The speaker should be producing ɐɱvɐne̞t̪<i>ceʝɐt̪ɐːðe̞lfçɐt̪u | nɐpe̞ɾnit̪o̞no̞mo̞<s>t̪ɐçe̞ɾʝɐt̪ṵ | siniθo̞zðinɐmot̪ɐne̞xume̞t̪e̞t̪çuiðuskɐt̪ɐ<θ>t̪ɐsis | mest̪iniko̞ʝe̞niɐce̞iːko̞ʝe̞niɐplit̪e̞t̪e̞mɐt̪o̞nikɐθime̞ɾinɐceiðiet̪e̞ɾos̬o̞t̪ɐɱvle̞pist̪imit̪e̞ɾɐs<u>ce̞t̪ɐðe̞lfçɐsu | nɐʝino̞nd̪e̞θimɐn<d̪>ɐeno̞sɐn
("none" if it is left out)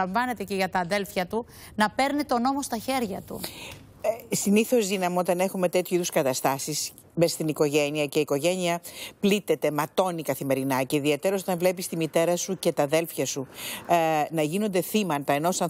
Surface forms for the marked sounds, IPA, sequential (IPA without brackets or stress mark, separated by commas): e, s, s, u, t̪